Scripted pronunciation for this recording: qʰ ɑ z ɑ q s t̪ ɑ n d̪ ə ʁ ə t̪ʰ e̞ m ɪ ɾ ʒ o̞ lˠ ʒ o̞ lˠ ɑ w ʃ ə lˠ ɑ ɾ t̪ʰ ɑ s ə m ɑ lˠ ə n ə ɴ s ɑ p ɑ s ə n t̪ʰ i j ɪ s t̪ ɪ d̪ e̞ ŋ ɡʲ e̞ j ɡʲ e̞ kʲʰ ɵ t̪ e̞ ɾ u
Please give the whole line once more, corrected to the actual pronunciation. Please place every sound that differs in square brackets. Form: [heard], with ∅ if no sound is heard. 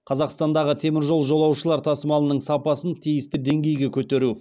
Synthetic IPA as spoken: qʰ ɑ z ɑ q s t̪ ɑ n d̪ [ɑ] ʁ ə t̪ʰ e̞ m ɪ ɾ ʒ o̞ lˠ ʒ o̞ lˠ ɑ w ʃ ə lˠ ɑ ɾ t̪ʰ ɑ s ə m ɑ lˠ ə n ə ɴ s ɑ p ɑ s ə n t̪ʰ i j ɪ s t̪ ɪ d̪ e̞ ŋ ɡʲ e̞ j ɡʲ e̞ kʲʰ ɵ t̪ e̞ ɾ u